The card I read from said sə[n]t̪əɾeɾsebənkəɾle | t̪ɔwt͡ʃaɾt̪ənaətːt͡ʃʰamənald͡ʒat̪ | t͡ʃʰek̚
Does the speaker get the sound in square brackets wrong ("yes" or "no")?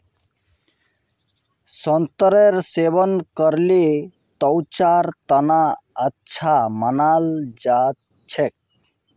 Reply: no